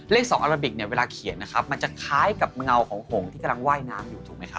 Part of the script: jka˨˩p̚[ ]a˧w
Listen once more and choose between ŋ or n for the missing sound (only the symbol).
ŋ